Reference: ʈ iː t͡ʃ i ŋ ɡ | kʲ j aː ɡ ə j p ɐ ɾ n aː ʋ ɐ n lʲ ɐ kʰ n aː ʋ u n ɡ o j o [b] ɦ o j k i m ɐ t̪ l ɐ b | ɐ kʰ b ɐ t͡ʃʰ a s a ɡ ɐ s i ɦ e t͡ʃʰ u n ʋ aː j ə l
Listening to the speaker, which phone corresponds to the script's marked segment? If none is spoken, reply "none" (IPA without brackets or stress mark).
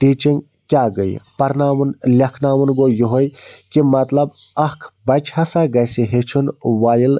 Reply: none